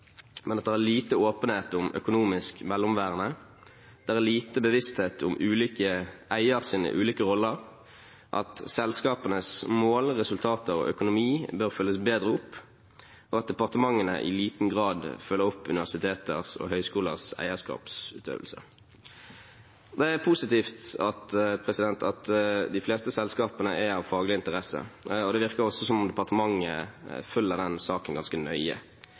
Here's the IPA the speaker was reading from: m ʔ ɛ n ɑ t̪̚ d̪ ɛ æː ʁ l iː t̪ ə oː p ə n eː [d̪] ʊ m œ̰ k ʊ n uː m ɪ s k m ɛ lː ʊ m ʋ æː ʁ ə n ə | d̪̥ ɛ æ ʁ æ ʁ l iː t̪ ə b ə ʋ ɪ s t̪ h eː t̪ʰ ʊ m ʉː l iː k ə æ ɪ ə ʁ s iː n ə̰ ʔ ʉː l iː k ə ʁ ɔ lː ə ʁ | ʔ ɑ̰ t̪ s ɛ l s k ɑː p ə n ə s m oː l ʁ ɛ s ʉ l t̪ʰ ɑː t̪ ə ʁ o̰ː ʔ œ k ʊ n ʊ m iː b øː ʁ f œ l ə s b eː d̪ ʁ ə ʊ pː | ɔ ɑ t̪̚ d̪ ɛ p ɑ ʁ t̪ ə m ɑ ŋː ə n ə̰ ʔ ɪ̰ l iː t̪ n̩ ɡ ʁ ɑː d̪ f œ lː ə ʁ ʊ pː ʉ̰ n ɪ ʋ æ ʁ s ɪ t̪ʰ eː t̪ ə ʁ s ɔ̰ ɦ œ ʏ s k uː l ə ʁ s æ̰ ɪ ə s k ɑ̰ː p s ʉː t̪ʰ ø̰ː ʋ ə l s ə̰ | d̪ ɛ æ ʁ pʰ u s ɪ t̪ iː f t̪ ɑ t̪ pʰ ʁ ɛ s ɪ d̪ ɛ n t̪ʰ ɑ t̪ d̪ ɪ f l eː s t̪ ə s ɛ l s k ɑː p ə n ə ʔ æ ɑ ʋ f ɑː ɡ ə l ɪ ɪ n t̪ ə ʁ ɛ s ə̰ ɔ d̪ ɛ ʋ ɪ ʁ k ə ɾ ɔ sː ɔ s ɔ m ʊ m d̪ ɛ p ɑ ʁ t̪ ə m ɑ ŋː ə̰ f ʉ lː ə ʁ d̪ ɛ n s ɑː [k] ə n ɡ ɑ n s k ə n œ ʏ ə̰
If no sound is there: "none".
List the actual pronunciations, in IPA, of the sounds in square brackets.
t̪, k

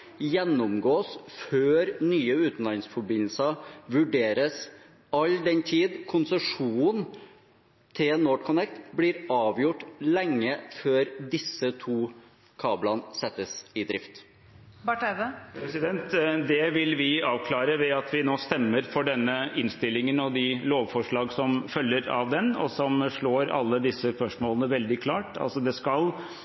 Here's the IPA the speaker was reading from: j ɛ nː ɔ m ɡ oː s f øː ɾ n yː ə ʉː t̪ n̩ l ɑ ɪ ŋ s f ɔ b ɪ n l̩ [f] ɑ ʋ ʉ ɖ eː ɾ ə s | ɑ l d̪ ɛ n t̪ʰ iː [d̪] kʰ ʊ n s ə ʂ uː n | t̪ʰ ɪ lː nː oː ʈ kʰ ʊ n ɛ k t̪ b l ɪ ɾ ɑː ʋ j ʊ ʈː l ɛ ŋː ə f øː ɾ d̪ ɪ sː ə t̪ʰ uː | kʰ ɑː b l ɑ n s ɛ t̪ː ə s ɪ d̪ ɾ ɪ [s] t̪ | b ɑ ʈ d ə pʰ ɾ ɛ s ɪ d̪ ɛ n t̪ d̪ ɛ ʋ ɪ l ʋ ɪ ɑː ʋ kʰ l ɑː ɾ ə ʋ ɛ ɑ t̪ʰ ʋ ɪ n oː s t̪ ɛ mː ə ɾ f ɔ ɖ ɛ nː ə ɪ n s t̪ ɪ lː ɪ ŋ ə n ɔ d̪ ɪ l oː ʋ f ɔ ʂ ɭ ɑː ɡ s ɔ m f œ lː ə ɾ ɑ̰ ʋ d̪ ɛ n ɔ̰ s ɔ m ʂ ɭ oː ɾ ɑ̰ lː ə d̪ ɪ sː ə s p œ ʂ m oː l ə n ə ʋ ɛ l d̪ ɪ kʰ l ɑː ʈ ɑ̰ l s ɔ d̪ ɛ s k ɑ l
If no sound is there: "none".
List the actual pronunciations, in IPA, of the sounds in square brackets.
s, d̪, f

